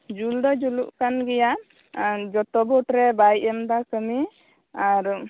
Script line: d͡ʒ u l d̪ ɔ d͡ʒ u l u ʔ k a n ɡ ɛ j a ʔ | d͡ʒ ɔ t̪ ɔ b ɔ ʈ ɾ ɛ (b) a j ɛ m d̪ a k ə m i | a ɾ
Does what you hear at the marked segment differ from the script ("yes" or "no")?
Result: no